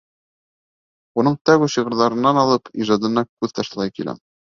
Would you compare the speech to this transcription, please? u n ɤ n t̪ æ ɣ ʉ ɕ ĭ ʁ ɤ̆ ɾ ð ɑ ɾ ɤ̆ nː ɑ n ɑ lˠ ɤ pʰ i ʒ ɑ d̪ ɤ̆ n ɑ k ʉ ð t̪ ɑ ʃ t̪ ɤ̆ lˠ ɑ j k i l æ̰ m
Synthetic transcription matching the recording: u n ɤ ɴ t̪ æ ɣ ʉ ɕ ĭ ʁ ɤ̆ ɾ ð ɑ ɾ ɤ̆ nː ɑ n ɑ lˠ ɤ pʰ i ʒ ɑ d̪ ɤ̆ n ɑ k ʉ ð t̪ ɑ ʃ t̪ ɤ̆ lˠ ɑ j k i l æ̰ m